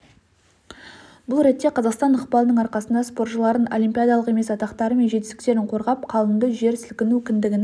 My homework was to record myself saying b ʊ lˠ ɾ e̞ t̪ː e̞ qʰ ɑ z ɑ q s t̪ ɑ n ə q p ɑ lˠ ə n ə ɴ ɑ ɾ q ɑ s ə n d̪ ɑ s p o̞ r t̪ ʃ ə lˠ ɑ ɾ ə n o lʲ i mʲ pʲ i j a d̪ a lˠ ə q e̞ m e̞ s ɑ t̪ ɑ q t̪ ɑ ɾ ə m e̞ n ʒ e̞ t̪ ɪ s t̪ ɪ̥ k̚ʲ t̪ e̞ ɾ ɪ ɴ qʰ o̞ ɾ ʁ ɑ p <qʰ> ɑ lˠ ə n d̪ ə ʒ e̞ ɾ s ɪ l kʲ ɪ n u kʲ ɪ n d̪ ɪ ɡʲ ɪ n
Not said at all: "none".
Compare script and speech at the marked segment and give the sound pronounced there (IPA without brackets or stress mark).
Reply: qʰ